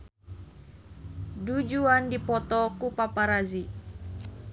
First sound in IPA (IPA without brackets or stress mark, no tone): d